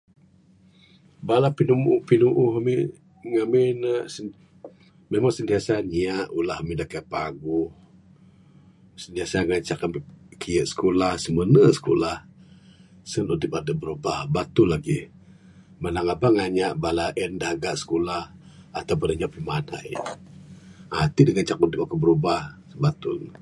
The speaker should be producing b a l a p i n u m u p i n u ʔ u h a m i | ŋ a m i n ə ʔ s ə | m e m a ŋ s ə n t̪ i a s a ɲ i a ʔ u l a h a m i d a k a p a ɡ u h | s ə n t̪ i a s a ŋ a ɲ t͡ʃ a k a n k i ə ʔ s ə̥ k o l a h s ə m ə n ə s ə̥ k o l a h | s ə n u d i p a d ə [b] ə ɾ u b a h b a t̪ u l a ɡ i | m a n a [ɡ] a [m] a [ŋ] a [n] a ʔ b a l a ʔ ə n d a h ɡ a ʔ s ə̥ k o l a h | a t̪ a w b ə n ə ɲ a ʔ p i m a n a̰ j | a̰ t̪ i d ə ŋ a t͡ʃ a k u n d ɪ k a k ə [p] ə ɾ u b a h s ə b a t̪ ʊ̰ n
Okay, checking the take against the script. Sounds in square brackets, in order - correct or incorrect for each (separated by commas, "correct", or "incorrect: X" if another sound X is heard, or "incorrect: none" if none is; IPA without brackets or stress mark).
correct, incorrect: ŋ, incorrect: b, correct, incorrect: ɲ, incorrect: b